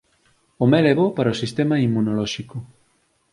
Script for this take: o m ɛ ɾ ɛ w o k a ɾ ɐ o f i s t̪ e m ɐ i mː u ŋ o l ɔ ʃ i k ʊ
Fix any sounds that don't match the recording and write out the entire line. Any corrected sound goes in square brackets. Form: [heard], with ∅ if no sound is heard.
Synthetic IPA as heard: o m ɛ [l] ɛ [β] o [p] a ɾ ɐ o [s] i s t̪ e m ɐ i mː u [n] o l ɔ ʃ i k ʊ